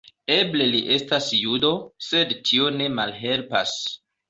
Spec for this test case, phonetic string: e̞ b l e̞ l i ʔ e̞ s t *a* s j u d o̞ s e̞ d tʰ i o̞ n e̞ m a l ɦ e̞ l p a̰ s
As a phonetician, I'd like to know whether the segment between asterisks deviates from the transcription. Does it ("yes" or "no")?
no